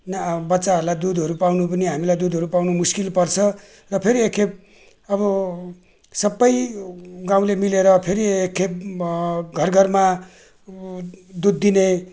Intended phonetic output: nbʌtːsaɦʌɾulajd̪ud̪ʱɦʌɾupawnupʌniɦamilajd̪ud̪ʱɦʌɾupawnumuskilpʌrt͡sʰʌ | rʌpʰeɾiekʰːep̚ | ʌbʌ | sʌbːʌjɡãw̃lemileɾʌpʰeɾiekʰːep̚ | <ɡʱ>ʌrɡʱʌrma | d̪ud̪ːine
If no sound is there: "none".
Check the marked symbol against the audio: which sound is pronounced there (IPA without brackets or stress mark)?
ɡʱ